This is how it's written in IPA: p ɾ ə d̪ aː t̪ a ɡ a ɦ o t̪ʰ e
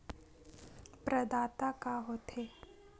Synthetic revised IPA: p ɾ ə d̪ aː t̪ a k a ɦ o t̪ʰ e